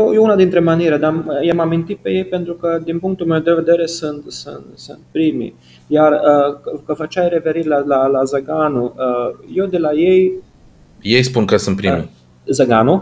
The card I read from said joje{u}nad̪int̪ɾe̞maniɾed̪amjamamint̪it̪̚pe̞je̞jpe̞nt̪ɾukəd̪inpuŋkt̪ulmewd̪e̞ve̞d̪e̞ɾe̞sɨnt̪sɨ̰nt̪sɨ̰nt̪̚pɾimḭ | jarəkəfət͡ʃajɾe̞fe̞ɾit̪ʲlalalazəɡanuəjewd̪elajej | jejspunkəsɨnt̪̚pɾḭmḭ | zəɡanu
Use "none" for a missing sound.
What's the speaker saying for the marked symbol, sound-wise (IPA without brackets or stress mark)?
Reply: u